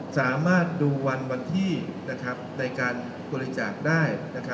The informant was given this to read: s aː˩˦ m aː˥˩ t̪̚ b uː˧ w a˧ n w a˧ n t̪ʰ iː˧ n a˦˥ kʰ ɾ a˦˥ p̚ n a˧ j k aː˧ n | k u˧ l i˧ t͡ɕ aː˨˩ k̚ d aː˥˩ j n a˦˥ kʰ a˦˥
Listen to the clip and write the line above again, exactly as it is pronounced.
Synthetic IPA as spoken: s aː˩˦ m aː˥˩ t̪̚ d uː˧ w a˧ n w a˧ n t̪ʰ iː˥˩ n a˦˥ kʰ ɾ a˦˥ p̚ n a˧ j k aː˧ n | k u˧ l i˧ t͡ɕ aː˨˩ k̚ d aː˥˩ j n a˦˥ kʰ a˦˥